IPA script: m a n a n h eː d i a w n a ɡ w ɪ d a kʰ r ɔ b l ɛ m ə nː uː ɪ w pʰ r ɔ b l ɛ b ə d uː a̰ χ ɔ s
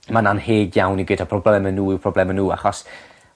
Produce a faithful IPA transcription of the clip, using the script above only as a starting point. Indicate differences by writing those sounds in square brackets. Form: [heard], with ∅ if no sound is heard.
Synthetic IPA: m a n a n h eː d [j] a w n [i] ɡ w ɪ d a [pʰ] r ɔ b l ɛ m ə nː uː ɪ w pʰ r ɔ b l ɛ [m] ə [n] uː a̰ χ ɔ s